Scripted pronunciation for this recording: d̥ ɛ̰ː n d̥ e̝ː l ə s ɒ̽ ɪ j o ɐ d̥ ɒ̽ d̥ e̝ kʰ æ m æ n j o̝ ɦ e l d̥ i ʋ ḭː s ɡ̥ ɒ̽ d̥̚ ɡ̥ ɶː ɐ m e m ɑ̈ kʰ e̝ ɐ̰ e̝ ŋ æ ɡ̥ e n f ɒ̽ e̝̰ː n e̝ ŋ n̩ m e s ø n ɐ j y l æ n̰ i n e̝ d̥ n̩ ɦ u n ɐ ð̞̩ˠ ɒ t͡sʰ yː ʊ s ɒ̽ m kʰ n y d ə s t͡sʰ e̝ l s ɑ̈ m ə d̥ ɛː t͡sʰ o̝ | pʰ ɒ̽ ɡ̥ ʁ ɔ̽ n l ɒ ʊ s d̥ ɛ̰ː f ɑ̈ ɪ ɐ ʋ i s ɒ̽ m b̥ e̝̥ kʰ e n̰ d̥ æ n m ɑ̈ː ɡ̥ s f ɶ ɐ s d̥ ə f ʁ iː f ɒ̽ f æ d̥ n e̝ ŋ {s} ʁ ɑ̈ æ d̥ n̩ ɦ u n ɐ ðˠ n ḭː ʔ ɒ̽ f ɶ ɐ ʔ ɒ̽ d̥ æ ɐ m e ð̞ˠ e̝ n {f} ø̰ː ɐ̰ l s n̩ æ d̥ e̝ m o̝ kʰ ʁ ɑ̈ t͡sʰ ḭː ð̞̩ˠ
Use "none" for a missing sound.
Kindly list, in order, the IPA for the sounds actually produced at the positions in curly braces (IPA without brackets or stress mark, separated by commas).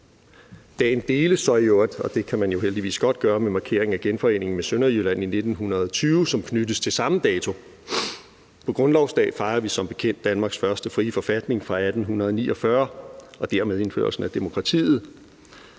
f, f